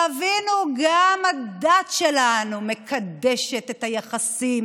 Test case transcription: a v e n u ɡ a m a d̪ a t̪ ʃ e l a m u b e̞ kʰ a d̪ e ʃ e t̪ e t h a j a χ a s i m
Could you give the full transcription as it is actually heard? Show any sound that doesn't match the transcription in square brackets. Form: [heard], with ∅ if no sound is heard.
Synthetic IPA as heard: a v [i] n u ɡ a m a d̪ a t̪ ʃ e l a [n] u [m] e̞ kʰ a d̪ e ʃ e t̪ e t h a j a χ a s i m